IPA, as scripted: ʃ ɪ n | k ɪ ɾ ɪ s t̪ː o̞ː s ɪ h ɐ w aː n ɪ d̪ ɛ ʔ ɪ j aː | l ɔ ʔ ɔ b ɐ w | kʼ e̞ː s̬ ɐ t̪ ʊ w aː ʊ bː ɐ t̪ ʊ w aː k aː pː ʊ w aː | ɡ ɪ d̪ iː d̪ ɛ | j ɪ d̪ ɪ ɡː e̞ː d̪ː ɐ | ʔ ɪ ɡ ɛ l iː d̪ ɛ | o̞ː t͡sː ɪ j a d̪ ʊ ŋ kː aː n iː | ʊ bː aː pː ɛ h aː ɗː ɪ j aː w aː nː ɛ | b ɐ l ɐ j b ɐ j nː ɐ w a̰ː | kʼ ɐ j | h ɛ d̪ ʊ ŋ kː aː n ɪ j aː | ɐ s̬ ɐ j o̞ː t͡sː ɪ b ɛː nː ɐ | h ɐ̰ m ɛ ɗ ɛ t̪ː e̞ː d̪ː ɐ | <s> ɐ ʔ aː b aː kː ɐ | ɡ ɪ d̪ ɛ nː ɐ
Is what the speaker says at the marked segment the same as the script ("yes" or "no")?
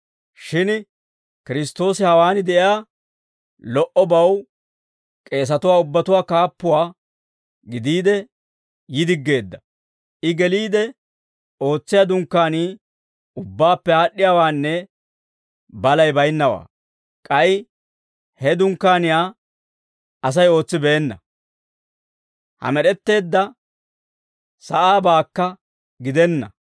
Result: yes